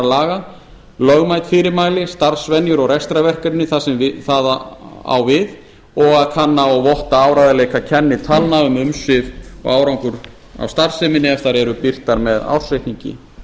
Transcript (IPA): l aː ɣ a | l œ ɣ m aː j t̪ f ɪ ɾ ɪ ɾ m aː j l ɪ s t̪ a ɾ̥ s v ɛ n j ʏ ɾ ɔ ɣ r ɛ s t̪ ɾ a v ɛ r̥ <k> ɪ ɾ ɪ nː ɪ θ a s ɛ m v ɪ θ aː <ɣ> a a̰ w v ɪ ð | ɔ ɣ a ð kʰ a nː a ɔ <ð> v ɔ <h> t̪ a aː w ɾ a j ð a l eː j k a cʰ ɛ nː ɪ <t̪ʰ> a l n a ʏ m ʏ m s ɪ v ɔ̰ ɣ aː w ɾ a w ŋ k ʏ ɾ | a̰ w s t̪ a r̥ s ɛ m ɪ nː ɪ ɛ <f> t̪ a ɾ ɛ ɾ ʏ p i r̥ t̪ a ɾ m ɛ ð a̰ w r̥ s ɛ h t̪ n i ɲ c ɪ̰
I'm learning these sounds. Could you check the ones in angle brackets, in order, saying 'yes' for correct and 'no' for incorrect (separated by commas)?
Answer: yes, no, no, yes, yes, yes